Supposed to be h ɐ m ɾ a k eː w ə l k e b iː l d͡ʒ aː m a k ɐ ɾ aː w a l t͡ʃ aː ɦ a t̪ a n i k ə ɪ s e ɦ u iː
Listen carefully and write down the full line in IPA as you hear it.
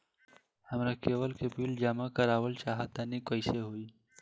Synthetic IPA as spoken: h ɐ m ɾ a k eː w ə l k e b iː l d͡ʒ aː m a k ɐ ɾ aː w ə l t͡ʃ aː ɦ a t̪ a n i k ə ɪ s e ɦ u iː